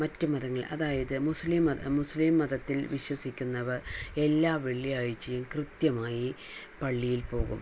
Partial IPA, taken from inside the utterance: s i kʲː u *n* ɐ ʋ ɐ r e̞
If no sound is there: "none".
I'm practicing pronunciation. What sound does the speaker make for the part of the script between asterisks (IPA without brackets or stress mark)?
nː